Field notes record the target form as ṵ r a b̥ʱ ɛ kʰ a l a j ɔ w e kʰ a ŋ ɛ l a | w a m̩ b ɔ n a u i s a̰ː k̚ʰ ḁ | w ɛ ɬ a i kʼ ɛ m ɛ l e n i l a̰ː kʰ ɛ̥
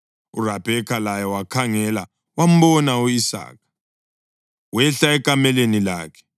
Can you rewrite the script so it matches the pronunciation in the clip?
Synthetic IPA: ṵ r a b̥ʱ ɛ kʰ a l a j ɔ w a kʰ a ŋ ɛ l a | w a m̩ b ɔ n a u i s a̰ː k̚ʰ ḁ | w ɛ ɬ a ɛ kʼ a m ɛ l e n i l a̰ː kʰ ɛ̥